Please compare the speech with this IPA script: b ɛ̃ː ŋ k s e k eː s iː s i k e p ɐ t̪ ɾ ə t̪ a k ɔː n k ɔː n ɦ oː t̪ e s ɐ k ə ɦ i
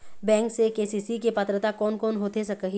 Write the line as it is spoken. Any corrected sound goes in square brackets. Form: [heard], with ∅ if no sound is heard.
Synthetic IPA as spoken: b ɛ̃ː ŋ k s e k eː s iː s i k e p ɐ t̪ ɾ ə t̪ a k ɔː n k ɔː n ɦ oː t̪ e s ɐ k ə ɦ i